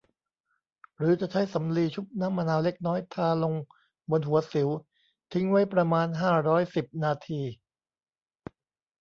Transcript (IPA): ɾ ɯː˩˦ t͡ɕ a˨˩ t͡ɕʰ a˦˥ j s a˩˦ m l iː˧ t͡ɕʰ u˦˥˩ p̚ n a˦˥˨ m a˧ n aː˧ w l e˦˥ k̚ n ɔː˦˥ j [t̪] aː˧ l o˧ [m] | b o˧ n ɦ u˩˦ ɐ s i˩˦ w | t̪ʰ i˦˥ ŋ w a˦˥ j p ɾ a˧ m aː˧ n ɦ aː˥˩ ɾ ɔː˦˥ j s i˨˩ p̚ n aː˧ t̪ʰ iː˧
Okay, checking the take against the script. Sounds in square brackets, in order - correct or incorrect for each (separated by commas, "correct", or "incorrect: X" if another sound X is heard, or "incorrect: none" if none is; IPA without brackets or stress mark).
incorrect: t̪ʰ, incorrect: ŋ